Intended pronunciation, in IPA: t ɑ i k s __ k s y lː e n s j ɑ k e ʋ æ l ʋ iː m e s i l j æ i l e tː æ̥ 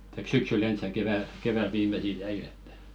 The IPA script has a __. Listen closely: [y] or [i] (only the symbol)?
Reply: y